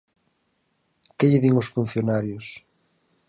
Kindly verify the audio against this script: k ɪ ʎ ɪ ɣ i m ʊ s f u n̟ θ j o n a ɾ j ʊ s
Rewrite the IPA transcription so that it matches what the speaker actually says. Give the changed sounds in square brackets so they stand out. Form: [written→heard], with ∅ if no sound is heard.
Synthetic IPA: k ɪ ʎ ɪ [ɣ→ð] i [m→ŋ] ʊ s f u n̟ θ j o n a ɾ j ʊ s